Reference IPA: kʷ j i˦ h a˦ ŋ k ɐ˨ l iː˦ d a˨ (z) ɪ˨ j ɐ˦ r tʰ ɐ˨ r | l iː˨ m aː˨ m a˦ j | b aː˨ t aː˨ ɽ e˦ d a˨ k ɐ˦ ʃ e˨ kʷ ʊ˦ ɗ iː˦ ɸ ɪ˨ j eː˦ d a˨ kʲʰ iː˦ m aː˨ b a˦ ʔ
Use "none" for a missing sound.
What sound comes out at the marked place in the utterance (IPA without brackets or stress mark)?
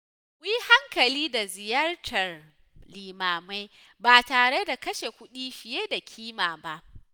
z